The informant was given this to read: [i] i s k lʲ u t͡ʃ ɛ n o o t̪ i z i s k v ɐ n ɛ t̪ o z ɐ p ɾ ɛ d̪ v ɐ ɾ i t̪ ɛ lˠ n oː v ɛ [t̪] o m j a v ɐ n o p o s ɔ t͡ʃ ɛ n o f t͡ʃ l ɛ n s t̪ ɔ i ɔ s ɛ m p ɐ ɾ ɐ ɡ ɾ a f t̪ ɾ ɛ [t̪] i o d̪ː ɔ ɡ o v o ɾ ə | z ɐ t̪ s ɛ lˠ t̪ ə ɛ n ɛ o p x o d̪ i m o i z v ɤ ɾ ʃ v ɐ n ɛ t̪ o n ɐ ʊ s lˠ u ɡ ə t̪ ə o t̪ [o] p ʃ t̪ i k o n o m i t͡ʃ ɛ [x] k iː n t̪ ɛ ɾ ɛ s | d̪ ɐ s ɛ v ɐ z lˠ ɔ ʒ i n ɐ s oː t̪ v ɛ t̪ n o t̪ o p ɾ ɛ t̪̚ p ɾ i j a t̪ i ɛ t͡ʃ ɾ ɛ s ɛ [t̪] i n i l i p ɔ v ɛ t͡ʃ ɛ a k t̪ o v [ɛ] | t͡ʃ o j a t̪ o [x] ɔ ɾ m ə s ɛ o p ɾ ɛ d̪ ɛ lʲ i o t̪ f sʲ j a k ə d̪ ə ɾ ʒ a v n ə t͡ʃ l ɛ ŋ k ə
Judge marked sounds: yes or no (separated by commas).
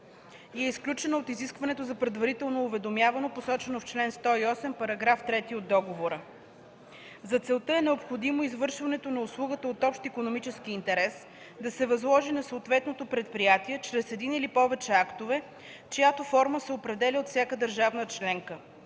no, no, yes, no, no, no, yes, no